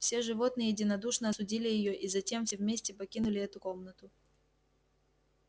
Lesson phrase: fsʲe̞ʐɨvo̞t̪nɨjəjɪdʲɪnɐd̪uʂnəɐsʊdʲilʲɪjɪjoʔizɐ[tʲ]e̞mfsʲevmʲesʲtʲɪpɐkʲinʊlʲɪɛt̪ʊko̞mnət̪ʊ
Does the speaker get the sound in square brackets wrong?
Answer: no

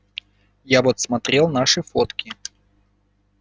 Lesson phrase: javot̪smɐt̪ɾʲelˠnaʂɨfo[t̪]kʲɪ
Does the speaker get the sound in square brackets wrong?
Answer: no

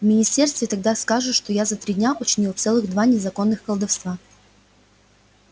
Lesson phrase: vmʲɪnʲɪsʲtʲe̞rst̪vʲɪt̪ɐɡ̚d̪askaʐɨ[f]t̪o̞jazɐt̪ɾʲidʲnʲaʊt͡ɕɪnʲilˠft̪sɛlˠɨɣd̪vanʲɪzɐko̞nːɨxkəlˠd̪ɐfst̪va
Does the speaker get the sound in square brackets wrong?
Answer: yes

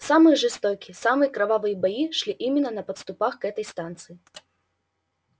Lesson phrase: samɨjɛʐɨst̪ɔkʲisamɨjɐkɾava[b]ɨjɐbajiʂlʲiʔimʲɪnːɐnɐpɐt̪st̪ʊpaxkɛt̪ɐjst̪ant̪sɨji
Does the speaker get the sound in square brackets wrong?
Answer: yes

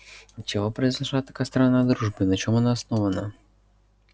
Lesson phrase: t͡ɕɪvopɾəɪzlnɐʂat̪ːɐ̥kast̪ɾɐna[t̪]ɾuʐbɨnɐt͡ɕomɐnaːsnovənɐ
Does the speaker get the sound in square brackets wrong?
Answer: yes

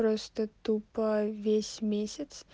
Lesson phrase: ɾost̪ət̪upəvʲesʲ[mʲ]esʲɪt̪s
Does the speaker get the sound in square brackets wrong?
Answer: no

